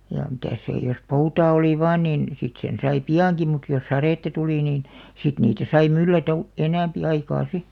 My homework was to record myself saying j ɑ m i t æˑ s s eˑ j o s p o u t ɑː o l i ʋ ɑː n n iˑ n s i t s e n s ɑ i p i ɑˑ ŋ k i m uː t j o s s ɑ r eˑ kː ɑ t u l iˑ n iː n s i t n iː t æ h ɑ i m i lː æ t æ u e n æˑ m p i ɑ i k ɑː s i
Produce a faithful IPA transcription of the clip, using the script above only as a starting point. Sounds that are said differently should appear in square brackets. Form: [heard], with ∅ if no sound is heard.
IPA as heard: j ɑ m i t æˑ s s eˑ j o s p o u t ɑː o l i ʋ ɑː n n iˑ n s i t s e n s ɑ i p i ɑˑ ŋ k i m [u] t j o s s ɑ r eˑ [tː] ɑ t u l iˑ n iː n s i t n iː t æ [s] ɑ i m [y] lː æ t æ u e n æˑ m p i ɑ i k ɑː s i